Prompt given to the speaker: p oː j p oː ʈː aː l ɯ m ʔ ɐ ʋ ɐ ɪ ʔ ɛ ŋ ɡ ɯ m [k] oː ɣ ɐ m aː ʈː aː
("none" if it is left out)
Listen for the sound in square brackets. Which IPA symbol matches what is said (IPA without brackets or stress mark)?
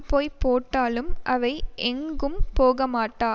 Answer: p